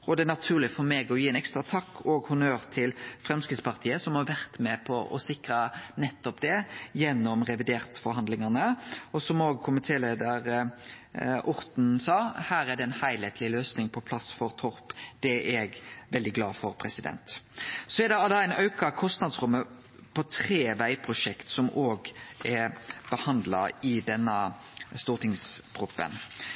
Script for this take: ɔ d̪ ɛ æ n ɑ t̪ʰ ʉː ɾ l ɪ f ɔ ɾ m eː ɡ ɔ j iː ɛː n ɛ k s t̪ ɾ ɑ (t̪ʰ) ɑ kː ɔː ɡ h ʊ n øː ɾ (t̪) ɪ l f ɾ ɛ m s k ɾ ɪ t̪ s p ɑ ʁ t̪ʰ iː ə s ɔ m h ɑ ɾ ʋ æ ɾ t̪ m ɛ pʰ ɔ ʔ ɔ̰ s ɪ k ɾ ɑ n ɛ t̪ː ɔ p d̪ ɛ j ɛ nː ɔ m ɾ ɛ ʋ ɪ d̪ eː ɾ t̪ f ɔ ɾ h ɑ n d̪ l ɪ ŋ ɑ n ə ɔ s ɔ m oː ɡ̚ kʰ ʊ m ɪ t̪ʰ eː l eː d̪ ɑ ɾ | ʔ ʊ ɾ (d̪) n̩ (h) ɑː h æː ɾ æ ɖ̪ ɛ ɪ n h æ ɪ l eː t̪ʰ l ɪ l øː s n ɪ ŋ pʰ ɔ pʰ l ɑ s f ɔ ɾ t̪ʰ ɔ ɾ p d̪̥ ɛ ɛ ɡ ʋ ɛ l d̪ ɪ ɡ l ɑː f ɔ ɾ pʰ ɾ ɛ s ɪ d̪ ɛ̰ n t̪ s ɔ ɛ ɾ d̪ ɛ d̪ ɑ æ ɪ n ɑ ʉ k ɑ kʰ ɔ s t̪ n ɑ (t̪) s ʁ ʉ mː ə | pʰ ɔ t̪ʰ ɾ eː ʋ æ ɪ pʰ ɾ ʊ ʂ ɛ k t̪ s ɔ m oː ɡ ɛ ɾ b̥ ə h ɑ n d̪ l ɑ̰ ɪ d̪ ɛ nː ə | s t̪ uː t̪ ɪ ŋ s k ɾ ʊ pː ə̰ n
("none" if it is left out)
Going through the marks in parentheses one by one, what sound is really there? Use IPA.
t̪ʰ, t̪ʰ, t̪, s, d̪

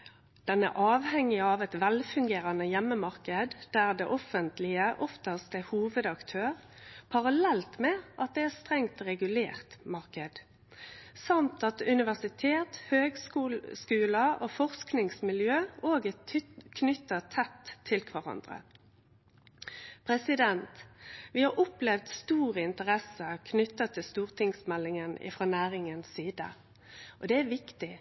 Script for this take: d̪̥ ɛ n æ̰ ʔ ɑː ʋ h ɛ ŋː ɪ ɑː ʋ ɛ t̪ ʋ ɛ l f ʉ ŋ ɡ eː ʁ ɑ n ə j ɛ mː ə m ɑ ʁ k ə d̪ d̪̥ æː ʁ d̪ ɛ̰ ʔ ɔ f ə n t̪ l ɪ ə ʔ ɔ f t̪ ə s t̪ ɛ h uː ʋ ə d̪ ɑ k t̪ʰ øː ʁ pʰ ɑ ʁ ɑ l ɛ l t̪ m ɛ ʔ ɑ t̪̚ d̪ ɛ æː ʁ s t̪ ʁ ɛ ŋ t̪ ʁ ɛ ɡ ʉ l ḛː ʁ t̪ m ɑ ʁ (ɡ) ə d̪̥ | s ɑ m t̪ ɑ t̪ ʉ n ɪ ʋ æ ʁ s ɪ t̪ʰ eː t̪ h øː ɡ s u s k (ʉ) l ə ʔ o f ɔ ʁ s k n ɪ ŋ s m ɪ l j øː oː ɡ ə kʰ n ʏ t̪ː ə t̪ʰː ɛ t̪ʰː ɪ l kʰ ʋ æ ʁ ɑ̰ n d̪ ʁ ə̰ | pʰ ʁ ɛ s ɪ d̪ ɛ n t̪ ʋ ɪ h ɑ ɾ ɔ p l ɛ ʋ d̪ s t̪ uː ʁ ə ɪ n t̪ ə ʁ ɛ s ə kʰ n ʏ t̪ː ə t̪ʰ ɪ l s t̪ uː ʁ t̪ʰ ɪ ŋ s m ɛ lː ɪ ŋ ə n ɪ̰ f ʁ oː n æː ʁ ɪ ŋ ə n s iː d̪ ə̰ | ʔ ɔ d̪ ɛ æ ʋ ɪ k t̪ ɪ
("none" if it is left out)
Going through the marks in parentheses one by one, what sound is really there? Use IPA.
k, ʉː

